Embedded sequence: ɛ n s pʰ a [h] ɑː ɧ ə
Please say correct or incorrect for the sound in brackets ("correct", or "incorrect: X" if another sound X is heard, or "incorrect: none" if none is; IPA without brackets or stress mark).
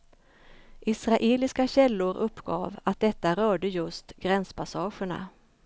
incorrect: s